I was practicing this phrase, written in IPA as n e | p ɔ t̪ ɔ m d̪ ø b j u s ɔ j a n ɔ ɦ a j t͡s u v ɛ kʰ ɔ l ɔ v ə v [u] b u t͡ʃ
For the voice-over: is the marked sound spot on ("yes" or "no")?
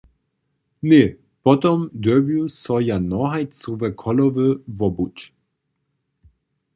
no